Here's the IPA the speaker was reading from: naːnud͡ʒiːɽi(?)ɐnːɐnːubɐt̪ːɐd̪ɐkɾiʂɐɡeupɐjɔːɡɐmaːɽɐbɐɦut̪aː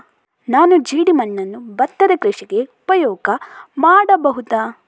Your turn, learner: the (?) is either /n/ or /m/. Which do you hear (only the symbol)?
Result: m